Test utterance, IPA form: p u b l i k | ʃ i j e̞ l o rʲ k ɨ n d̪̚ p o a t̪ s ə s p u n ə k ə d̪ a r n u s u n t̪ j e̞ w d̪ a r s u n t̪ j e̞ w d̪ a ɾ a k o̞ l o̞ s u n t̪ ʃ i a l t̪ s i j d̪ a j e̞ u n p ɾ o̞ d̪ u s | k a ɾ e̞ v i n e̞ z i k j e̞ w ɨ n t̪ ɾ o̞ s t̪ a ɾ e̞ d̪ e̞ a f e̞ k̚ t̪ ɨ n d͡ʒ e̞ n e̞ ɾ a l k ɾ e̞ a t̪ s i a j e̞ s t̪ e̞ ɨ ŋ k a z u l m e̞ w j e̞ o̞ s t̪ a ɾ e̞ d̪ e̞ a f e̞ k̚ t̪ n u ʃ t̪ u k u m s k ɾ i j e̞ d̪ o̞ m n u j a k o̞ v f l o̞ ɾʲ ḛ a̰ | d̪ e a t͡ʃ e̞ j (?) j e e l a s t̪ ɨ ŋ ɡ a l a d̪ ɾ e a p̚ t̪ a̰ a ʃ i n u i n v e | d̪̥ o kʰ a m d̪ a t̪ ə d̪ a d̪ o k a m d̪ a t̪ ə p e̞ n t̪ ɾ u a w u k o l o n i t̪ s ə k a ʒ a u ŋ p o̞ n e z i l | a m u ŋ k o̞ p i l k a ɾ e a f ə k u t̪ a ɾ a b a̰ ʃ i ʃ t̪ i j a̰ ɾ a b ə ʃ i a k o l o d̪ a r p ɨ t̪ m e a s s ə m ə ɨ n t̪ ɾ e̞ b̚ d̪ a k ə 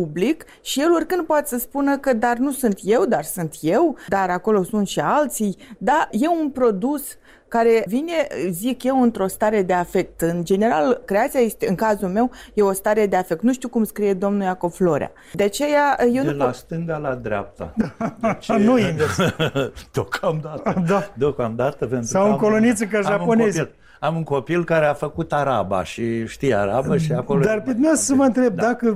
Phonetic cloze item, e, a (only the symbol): a